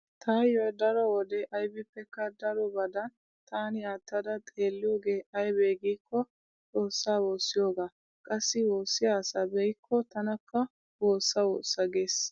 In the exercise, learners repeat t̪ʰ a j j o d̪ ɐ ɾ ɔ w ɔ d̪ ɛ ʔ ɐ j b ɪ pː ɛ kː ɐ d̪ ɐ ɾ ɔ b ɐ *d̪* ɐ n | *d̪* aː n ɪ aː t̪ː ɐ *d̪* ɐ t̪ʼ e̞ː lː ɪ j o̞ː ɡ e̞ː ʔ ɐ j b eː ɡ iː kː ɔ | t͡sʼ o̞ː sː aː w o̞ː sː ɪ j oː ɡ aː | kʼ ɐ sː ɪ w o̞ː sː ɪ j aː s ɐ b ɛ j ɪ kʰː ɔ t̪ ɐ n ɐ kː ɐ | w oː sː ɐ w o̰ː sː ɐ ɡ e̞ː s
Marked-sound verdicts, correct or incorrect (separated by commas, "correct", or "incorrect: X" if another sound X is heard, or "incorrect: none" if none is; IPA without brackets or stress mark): correct, incorrect: t̪, correct